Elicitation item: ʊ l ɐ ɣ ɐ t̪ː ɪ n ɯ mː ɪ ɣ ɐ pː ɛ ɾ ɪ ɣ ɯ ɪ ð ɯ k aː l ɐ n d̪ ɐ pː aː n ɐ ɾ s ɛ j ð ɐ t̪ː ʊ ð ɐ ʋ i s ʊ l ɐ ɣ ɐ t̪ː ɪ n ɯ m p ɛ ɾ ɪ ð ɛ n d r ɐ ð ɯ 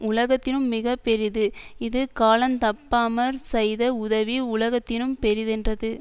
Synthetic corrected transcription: ʊ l ɐ ɣ ɐ t̪ː ɪ n ɯ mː ɪ ɣ ɐ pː ɛ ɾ ɪ ð ɯ ɪ ð ɯ k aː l ɐ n t̪ ɐ pː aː m ɐ ɾ s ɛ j ð ɐ ʊ ð ɐ ʋ i ʊ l ɐ ɣ ɐ t̪ː ɪ n ɯ m p ɛ ɾ ɪ ð ɛ n d r ɐ ð ɯ